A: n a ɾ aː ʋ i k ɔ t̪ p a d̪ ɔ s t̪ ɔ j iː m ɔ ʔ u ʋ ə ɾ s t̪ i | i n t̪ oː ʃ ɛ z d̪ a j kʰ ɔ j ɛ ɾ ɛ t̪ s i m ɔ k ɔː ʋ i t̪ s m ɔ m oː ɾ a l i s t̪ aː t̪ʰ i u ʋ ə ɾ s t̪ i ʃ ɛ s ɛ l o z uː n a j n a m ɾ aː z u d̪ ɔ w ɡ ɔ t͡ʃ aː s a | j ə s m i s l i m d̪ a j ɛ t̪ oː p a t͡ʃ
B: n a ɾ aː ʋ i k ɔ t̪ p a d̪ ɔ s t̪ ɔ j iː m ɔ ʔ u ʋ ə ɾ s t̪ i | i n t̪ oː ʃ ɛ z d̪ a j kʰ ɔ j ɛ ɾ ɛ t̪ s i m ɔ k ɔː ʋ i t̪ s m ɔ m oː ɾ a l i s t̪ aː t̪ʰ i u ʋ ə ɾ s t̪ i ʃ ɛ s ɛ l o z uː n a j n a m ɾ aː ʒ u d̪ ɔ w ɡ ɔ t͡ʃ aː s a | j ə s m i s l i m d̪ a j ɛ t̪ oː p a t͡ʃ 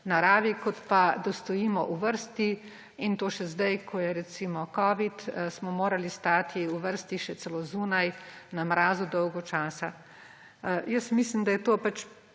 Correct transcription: A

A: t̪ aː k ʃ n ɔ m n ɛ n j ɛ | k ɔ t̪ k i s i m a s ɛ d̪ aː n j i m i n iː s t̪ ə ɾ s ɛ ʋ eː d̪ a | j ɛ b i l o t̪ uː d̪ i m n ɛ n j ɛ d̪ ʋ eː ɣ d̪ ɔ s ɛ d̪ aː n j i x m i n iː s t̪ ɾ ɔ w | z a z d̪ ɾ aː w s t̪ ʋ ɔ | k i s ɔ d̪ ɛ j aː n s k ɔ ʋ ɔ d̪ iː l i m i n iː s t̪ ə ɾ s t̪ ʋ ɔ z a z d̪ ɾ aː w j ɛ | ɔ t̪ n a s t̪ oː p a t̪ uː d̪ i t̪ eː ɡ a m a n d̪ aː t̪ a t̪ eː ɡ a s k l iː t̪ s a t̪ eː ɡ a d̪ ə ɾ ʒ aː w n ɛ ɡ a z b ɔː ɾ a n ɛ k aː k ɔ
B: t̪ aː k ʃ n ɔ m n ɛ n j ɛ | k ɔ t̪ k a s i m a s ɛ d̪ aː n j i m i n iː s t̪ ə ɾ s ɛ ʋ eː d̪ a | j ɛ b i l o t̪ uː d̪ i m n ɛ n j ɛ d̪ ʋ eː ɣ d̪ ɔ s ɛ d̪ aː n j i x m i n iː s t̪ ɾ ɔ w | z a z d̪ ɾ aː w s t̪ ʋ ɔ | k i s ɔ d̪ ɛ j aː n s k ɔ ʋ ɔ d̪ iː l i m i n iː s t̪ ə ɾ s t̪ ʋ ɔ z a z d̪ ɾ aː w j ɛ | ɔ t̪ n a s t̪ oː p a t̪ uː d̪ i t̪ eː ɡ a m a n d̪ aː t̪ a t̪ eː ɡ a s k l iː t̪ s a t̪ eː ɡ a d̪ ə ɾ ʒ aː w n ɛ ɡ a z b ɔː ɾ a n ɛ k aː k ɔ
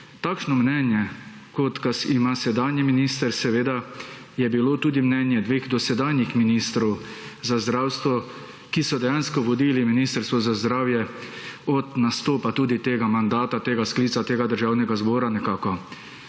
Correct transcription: B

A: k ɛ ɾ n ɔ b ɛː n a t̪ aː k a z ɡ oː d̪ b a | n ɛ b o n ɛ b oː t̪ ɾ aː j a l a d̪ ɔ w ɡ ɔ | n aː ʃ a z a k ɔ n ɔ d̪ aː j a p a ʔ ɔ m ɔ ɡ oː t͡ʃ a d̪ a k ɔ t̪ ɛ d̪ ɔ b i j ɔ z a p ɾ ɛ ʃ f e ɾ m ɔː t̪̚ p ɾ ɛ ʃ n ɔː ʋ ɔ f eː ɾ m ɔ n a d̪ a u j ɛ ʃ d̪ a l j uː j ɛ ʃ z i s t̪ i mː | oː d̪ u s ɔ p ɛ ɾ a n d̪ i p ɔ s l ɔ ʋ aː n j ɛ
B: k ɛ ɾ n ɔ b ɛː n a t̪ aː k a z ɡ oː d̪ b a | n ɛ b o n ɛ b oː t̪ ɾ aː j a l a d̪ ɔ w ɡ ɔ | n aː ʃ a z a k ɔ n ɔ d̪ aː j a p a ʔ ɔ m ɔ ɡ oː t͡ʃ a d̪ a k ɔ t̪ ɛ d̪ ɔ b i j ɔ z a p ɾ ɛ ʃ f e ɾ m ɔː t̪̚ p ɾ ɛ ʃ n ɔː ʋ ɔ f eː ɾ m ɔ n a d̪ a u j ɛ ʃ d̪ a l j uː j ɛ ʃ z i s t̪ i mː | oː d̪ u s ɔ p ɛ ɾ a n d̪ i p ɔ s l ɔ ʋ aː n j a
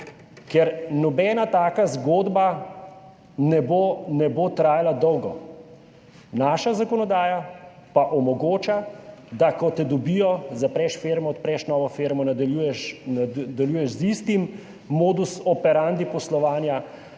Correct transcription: B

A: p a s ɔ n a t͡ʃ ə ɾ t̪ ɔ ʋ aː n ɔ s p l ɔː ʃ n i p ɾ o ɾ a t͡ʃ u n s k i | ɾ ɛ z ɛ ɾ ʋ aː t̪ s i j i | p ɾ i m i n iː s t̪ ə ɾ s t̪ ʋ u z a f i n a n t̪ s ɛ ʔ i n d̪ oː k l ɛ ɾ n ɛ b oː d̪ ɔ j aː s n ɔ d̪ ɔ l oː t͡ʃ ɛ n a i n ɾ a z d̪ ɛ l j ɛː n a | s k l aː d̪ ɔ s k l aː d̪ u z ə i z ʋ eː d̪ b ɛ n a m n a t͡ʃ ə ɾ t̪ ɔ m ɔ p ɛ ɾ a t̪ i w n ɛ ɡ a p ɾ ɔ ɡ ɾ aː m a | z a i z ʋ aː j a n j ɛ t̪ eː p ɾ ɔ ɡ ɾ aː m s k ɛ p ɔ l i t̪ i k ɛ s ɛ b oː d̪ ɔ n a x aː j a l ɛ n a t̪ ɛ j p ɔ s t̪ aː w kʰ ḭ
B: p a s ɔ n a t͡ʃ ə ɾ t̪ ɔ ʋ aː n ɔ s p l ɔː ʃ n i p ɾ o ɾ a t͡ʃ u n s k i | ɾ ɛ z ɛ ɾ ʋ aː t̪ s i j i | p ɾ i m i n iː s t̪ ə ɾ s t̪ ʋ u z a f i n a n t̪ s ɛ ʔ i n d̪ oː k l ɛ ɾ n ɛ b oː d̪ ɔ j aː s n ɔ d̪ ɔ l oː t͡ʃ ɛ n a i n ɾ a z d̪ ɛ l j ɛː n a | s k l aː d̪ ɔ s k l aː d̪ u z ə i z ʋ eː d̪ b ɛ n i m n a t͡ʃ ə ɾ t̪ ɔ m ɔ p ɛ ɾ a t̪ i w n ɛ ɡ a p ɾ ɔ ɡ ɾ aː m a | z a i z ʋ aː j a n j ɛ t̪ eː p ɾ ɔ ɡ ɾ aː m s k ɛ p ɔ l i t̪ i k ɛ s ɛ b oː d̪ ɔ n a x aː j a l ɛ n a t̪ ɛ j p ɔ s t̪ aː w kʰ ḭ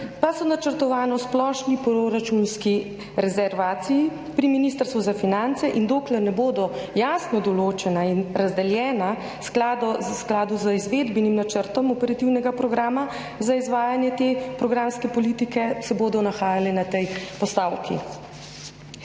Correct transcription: B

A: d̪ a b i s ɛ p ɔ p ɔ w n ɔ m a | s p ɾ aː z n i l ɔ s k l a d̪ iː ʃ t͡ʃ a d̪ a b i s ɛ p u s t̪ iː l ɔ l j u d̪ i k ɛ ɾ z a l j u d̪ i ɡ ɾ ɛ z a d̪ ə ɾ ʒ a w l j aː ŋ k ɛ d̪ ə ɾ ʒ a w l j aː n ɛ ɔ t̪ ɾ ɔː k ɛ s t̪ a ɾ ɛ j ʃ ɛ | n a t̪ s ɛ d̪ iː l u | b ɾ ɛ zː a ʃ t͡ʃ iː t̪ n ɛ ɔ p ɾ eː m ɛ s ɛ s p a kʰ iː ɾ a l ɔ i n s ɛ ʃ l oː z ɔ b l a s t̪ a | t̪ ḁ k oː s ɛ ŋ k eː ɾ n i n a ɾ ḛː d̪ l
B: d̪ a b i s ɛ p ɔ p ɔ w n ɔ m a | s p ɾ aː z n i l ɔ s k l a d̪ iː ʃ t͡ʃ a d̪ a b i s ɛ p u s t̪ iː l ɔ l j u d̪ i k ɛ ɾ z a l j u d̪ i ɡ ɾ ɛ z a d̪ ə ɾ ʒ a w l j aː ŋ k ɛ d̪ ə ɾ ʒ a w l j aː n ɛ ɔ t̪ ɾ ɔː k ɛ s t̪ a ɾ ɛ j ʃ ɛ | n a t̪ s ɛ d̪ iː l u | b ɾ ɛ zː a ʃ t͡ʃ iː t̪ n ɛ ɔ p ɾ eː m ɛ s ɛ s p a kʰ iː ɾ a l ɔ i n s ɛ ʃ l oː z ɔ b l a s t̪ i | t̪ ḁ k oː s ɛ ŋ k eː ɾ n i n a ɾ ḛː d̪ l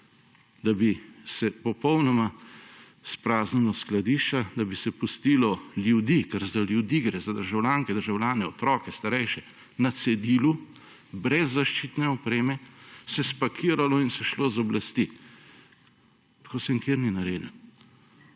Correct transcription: B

